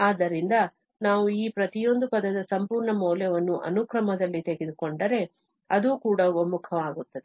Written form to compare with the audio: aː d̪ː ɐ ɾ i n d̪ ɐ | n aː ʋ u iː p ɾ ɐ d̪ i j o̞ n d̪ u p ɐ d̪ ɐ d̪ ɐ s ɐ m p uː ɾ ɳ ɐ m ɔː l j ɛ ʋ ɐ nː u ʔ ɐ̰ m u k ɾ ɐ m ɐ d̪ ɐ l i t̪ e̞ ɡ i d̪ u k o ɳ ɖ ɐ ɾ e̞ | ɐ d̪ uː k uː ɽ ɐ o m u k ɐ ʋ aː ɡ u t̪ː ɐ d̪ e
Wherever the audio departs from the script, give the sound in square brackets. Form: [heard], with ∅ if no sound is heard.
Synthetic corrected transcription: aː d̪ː ɐ ɾ i n d̪ ɐ | n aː ʋ u iː p ɾ ɐ [t̪] i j o̞ n d̪ u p ɐ d̪ ɐ d̪ ɐ s ɐ m p uː ɾ ɳ ɐ m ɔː l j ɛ ʋ ɐ nː u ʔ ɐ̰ [n] u k ɾ ɐ m ɐ d̪ ɐ [lː] i t̪ e̞ ɡ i d̪ u k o ɳ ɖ ɐ ɾ e̞ | ɐ d̪ uː k uː ɽ ɐ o m u [kʰ] ɐ ʋ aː ɡ u t̪ː ɐ d̪ e

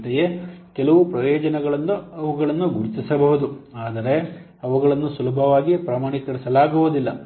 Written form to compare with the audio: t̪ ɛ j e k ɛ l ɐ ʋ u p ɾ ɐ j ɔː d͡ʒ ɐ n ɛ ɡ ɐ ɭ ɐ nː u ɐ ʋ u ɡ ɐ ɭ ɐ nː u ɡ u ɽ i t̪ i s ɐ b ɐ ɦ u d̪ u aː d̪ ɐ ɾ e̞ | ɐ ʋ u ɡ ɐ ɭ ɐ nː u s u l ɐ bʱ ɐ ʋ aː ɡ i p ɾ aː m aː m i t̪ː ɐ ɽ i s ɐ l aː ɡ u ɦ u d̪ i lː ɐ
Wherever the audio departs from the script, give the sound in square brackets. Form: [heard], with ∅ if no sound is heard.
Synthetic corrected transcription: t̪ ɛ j e k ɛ l ɐ ʋ u p ɾ ɐ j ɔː d͡ʒ ɐ n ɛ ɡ ɐ ɭ ɐ nː u ɐ ʋ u ɡ ɐ ɭ ɐ nː u ɡ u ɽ i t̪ i s ɐ b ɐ ɦ u d̪ u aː d̪ ɐ ɾ e̞ | ɐ ʋ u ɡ ɐ ɭ ɐ nː u s u l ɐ bʱ ɐ ʋ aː ɡ i p ɾ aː m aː [ɳ] i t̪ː ɐ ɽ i s ɐ l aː ɡ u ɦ u d̪ i lː ɐ

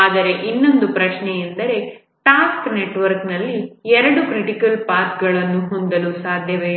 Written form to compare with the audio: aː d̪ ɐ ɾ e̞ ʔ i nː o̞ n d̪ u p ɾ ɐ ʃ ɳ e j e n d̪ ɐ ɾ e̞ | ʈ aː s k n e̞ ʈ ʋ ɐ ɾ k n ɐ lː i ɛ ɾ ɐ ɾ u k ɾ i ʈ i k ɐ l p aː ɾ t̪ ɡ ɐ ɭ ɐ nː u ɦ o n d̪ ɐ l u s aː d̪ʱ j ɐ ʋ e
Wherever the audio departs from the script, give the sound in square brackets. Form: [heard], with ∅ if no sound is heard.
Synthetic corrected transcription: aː d̪ ɐ ɾ e̞ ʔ i nː o̞ n d̪ u p ɾ ɐ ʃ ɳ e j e n d̪ ɐ ɾ e̞ | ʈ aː s k n e̞ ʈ ʋ ɐ ɾ k n ɐ lː i ɛ ɾ ɐ [ɽ] u k ɾ i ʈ i k ɐ l p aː ɾ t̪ ɡ ɐ ɭ ɐ nː u ɦ o n d̪ ɐ l u s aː d̪ʱ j ɐ ʋ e

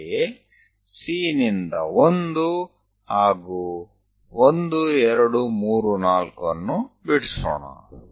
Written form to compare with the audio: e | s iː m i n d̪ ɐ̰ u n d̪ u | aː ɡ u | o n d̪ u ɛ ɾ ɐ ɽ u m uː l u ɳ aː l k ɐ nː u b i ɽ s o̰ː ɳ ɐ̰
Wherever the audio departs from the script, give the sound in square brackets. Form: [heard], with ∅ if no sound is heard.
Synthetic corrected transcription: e | s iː [n] i n d̪ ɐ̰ [o] n d̪ u | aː ɡ u | o n d̪ u ɛ ɾ ɐ ɽ u m uː [ɾ] u [n] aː l k ɐ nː u b i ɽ s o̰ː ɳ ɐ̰

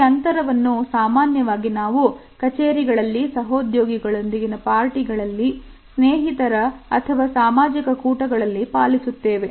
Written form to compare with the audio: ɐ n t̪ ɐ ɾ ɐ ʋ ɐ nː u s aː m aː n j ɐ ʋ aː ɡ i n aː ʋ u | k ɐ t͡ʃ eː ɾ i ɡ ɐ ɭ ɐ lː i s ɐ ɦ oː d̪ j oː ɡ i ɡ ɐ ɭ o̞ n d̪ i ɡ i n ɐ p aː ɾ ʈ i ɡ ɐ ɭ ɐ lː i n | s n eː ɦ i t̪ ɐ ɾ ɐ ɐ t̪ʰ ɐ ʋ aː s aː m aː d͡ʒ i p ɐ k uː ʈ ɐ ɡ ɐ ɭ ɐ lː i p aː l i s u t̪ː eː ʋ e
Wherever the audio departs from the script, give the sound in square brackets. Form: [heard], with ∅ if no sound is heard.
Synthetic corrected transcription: ɐ n t̪ ɐ ɾ ɐ ʋ ɐ nː u s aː m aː n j ɐ ʋ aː ɡ i n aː ʋ u | k ɐ t͡ʃ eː ɾ i ɡ ɐ ɭ ɐ lː i s ɐ ɦ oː d̪ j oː ɡ i ɡ ɐ ɭ o̞ n d̪ i ɡ i n ɐ p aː ɾ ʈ i ɡ ɐ ɭ ɐ lː i [∅] | s n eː ɦ i t̪ ɐ ɾ ɐ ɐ t̪ʰ ɐ ʋ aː s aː m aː d͡ʒ i [k] ɐ k uː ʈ ɐ ɡ ɐ ɭ ɐ lː i p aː l i s u t̪ː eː ʋ e

